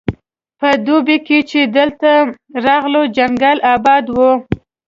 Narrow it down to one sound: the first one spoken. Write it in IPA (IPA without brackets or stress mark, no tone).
p